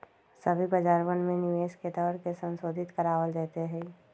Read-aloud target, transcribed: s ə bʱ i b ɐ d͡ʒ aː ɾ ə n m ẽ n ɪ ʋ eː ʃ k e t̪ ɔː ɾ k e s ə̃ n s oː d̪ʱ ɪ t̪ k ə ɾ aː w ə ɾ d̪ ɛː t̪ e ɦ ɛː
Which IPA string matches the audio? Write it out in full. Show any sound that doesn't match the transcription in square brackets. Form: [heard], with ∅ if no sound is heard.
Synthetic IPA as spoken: s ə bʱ i b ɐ d͡ʒ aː ɾ ə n m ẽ n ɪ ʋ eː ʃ k e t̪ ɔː ɾ k e s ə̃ n s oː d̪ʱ ɪ t̪ k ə ɾ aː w ə [l] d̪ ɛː t̪ e ɦ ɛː

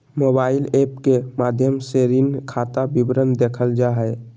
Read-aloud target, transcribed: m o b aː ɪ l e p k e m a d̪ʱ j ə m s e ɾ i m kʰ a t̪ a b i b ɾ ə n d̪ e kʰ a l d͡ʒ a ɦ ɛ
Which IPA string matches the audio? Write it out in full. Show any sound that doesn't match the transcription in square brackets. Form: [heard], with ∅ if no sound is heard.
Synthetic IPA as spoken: m o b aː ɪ l e p k e m a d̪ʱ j ə m s e ɾ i [n] kʰ a t̪ a b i b ɾ ə n d̪ e kʰ [ə] l d͡ʒ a ɦ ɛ

